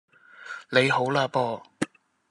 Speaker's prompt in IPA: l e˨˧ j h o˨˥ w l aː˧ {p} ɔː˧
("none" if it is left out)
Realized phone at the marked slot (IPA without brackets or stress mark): p